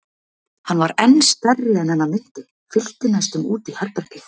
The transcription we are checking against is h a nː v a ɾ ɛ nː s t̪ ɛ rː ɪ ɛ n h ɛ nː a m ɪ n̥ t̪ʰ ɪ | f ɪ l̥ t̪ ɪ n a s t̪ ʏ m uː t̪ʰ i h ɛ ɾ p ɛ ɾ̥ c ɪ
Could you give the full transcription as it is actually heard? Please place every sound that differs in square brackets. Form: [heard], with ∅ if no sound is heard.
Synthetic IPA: h a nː v a ɾ ɛ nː s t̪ ɛ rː ɪ ɛ n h ɛ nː a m ɪ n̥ [t̪] ɪ | f ɪ l̥ t̪ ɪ n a s t̪ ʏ m uː [t̪] i h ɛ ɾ p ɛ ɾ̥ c ɪ